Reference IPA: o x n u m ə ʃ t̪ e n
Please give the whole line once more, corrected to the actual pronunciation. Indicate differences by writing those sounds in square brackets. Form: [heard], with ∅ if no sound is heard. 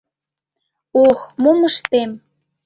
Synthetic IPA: o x [m] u m ə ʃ t̪ e [m]